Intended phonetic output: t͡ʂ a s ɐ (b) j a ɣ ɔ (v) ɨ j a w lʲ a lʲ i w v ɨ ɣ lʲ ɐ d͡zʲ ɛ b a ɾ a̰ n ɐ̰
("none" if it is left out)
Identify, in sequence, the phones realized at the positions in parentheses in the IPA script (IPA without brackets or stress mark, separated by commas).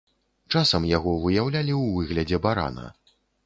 m, v